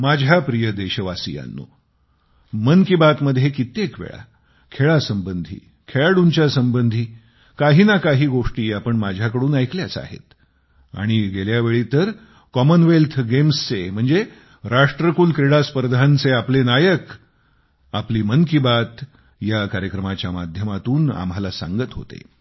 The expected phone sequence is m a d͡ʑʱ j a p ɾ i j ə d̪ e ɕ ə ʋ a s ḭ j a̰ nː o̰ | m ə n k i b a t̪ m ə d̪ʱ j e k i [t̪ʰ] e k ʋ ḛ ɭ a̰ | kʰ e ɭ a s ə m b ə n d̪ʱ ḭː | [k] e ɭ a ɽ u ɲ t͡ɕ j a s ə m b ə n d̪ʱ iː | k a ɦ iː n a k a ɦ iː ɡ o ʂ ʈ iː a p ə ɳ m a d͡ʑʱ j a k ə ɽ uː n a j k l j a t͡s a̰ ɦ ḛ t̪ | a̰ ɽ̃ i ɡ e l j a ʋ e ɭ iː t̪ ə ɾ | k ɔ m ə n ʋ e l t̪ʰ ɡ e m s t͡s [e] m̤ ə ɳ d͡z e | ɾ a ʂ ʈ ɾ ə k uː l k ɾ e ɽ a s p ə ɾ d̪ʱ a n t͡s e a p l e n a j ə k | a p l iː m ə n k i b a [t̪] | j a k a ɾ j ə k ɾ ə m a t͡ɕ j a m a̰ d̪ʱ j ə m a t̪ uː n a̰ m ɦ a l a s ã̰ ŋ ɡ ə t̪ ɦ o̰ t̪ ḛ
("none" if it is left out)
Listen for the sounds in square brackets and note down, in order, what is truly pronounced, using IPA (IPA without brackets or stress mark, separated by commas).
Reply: t̪, kʰ, e, t̪